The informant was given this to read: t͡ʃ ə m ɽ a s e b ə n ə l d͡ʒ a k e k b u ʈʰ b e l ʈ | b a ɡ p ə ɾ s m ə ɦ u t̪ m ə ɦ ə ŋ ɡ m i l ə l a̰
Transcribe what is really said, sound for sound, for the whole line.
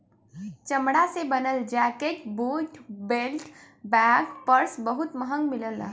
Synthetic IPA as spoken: t͡ʃ ə m ɽ a s e b ə n ə l d͡ʒ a k e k b u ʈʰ b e l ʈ | b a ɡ p ə ɾ s b ə ɦ u t̪ m ə ɦ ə ŋ ɡ m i l ə l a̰

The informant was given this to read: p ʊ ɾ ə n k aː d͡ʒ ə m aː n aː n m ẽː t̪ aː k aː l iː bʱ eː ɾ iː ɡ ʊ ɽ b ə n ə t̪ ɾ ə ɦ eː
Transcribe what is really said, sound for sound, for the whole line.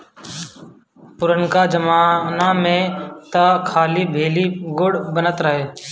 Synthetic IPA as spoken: p ʊ ɾ ə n k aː d͡ʒ ə m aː n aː m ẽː t̪ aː kʰ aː l iː bʱ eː l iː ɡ ʊ ɽ b ə n ə t̪ ɾ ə ɦ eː

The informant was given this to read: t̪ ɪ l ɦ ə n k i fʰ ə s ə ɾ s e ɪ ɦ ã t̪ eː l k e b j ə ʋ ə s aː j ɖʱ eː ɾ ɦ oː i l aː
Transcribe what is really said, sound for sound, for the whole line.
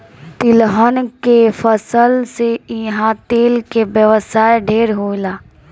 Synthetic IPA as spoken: t̪ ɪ l ɦ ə n k e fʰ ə s ə l s e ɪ ɦ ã t̪ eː l k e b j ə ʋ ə s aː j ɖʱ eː ɾ ɦ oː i l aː

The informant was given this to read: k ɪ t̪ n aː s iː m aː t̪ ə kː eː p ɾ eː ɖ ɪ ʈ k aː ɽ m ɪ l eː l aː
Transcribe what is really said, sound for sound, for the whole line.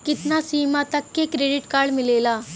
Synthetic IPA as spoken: k ɪ t̪ n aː s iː m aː t̪ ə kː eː k ɾ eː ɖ ɪ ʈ k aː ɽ m ɪ l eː l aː

